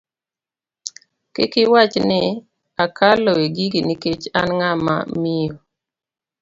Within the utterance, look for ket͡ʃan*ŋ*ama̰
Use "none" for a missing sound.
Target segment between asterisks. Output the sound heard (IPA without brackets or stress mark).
ŋ